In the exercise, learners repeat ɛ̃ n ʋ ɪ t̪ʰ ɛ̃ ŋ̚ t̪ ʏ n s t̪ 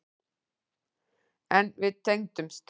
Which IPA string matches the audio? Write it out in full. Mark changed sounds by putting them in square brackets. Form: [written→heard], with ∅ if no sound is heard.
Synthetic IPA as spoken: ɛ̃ n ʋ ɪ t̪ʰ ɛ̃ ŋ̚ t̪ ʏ [n→m] s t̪